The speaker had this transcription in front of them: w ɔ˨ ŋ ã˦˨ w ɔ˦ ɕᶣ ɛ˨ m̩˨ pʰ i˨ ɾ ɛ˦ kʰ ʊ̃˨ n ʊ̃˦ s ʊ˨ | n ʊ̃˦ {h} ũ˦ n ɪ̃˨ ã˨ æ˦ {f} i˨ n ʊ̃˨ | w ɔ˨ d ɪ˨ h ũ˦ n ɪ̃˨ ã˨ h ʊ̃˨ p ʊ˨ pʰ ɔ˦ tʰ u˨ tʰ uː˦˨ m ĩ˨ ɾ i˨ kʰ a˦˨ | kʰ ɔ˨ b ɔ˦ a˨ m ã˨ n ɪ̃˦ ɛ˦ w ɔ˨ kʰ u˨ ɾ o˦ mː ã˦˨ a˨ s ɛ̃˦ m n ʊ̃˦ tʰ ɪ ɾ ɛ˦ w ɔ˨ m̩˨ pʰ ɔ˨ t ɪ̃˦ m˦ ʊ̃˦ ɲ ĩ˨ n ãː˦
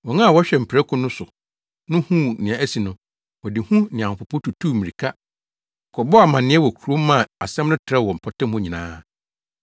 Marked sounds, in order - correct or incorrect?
correct, incorrect

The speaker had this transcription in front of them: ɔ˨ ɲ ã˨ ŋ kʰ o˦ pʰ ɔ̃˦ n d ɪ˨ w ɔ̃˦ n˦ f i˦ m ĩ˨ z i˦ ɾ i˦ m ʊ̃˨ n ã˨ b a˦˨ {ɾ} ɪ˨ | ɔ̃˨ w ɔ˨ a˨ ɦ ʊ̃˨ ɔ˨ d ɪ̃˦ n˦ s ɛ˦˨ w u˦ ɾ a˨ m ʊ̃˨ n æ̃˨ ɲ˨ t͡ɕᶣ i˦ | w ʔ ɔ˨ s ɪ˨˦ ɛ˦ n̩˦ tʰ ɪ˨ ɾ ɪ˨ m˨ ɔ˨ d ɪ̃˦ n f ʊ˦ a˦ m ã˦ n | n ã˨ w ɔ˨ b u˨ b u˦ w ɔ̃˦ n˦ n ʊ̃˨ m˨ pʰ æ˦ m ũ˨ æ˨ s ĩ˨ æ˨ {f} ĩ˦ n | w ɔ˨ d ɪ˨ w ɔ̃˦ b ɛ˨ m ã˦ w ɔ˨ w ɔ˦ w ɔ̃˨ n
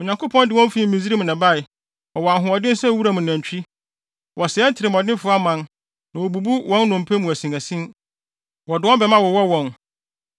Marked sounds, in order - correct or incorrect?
incorrect, incorrect

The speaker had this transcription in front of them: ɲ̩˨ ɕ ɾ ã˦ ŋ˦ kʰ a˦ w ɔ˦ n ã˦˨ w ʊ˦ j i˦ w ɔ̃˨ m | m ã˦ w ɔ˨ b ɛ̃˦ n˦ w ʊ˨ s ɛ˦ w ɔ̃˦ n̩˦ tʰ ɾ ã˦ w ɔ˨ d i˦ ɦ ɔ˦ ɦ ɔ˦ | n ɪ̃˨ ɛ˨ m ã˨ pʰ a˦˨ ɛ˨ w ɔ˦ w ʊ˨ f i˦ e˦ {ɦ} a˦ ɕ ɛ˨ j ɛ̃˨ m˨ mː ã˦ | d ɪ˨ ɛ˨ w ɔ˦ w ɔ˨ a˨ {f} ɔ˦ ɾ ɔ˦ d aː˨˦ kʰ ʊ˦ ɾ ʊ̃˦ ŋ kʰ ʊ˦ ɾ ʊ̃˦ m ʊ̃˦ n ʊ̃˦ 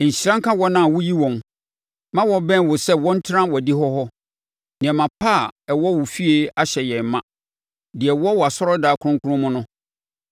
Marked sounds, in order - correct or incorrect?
incorrect, incorrect

